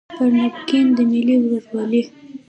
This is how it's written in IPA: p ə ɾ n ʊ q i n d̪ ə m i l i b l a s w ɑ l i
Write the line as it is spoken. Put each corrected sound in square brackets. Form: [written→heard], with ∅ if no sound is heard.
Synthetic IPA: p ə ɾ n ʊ [q→k] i n d̪ ə m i l i [b→w] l [a→ə] s w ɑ l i